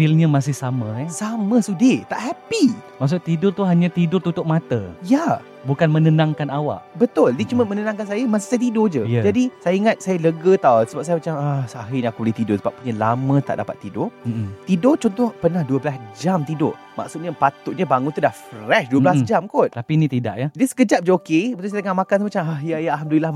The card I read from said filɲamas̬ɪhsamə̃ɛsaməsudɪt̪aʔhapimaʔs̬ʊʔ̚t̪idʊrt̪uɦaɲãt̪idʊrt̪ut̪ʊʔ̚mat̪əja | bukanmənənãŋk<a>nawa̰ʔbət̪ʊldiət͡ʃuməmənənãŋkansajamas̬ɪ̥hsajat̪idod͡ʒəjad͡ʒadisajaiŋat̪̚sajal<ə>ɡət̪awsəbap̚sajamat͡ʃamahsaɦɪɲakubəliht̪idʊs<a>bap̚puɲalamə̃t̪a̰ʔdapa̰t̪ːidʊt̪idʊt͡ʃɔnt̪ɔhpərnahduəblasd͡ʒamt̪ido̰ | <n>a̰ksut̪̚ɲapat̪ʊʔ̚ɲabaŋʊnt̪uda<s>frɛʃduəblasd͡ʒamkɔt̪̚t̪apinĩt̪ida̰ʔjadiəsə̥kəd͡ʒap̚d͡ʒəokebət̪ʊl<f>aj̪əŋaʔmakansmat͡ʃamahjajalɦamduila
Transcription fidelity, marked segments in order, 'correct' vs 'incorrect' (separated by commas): correct, correct, incorrect, incorrect, incorrect, incorrect